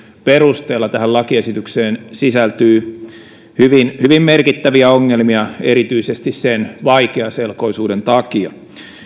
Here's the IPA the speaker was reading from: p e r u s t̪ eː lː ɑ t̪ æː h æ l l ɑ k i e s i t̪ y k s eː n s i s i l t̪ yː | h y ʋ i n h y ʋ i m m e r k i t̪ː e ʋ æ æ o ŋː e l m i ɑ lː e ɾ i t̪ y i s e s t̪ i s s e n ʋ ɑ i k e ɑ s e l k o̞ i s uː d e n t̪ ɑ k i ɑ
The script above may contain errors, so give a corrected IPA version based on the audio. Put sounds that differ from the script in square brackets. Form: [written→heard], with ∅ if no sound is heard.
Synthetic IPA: p e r u s t̪ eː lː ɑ t̪ [æː→æ] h æ l l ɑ k i e s i t̪ y k s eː n s i s [i→æ] l t̪ yː | h y ʋ i n h y ʋ i m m e r k i t̪ː [e→æ] ʋ [æ→i] æ o ŋː e l m i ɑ [lː→∅] e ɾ i t̪ y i s e s t̪ i s s e n ʋ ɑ i k e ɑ s e l k o̞ i s uː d e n t̪ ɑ k i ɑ